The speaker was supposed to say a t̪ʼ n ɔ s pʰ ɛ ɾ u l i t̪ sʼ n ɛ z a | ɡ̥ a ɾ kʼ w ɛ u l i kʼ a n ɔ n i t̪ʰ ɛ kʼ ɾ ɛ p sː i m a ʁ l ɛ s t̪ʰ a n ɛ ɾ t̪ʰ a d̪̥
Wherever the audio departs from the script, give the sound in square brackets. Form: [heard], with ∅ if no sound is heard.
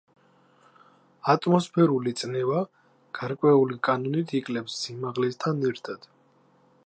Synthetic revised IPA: a t̪ʼ [m] ɔ s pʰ ɛ ɾ u l i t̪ sʼ n ɛ [v] a | ɡ̥ a ɾ kʼ w ɛ u l i kʼ a n ɔ n i t̪ʰ [i] kʼ [l] ɛ p sː i m a ʁ l ɛ s t̪ʰ a n ɛ ɾ t̪ʰ a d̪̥